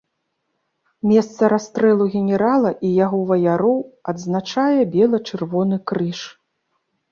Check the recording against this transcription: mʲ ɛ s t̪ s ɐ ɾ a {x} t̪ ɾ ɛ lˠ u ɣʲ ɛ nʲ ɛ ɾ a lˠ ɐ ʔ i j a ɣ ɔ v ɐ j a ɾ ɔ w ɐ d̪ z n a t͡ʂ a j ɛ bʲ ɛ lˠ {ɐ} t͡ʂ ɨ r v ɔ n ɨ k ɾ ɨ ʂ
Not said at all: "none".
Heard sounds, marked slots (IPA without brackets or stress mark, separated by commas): s, ɐ